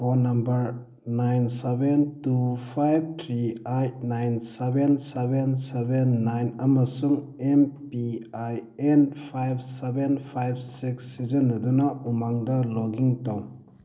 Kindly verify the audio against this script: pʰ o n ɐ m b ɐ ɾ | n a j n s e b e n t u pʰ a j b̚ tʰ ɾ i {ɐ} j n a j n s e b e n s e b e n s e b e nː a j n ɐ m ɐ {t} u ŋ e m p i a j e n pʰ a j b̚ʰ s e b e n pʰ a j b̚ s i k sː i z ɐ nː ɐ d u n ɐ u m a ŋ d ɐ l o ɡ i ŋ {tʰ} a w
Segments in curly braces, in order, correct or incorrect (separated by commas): incorrect, incorrect, incorrect